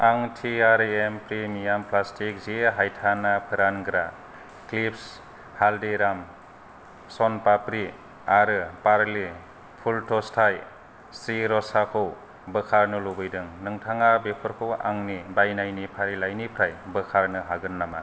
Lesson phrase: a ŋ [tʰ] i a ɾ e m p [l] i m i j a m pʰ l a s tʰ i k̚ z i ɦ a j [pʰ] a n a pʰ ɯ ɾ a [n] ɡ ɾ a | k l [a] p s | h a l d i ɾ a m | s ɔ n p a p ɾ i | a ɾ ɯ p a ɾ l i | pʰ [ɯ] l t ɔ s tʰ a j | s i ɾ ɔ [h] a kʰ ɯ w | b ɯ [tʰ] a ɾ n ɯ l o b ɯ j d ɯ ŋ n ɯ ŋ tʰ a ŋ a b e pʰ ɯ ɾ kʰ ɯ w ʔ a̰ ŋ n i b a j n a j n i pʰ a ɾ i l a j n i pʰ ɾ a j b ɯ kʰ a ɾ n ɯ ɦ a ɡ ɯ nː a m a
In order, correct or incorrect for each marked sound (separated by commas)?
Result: correct, incorrect, incorrect, correct, incorrect, incorrect, incorrect, incorrect